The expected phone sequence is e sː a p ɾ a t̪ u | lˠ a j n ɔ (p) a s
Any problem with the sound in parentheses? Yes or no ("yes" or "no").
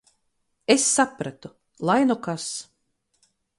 yes